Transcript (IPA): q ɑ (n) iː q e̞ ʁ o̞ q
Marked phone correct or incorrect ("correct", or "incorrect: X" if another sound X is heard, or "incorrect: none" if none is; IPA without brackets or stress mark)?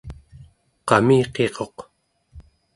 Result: incorrect: m